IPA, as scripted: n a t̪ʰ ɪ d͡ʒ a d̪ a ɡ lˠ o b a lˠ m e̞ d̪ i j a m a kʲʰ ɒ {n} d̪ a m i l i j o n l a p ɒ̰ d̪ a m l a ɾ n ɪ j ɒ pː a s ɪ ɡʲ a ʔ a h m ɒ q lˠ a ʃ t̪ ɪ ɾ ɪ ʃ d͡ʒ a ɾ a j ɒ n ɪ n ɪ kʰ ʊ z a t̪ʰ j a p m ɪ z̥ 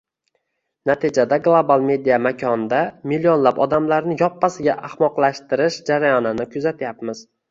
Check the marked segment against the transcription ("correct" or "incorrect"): correct